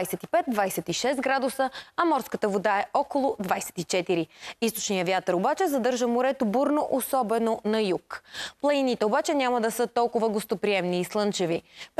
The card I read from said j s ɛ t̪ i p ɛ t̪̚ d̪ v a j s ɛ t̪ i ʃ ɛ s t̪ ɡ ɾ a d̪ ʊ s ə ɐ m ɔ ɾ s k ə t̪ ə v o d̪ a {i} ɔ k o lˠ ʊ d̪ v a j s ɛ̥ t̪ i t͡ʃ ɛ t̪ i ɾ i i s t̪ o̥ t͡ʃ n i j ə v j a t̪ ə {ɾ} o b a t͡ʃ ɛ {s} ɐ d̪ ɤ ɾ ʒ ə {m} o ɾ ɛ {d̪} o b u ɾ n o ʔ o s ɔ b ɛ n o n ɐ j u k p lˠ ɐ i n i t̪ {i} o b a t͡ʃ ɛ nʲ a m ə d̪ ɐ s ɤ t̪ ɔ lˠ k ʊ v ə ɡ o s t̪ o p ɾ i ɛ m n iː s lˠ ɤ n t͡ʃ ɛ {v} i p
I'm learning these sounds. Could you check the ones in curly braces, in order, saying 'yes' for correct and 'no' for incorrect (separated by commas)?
no, yes, no, yes, no, no, yes